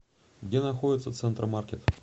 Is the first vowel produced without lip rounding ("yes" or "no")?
yes